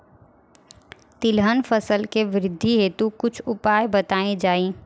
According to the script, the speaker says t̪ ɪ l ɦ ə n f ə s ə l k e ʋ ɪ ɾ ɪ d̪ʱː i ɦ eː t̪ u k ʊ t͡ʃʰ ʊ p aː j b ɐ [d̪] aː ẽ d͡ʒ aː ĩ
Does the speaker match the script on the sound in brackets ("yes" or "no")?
no